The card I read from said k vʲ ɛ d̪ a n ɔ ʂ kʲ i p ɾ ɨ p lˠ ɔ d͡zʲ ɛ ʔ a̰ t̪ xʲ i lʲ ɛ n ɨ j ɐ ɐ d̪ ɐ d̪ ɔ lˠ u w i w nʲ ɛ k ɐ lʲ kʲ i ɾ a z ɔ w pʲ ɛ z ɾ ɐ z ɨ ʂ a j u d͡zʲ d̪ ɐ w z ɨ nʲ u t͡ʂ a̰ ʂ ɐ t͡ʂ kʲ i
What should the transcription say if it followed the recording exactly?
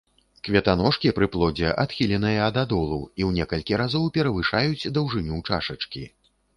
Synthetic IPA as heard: k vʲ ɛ t̪ a n ɔ ʂ kʲ i p ɾ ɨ p lˠ ɔ d͡zʲ ɛ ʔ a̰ t̪ xʲ i lʲ ɛ n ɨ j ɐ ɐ d̪ a d̪ ɔ lˠ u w i w nʲ ɛ k ɐ lʲ kʲ i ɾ a z ɔ w pʲ ɛ ɾ ɐ v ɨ ʂ a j u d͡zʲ d̪ ɐ w ʐ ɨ nʲ u t͡ʂ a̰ ʂ ɐ t͡ʂ kʲ i